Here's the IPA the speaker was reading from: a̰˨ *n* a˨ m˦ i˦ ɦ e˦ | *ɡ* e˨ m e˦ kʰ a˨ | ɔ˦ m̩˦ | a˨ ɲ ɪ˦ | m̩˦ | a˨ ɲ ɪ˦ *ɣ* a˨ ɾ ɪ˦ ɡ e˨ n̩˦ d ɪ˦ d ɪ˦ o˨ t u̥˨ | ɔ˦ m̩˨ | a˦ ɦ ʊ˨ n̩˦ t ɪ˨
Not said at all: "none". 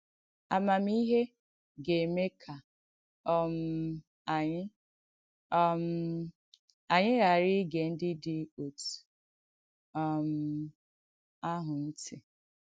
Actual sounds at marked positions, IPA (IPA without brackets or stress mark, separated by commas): m, ɡ, ɣ